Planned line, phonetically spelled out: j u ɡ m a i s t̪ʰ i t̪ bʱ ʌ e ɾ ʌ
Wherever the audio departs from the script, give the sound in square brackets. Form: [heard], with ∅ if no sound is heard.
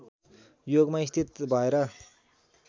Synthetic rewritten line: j [o] ɡ m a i s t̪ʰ i t̪ bʱ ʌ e ɾ ʌ